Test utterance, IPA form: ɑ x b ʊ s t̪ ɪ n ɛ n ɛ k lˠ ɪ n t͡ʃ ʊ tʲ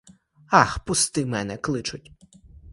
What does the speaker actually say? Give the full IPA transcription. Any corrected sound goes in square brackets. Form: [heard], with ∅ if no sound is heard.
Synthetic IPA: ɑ x [p] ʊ s t̪ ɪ [m] ɛ n ɛ k lˠ ɪ [∅] t͡ʃ ʊ tʲ